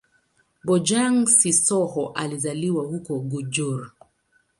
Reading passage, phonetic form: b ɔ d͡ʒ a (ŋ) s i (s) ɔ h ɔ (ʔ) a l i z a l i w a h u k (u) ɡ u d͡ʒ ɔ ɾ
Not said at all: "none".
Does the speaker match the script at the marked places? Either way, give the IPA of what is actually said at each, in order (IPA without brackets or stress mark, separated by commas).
ŋ, s, ʔ, ɔ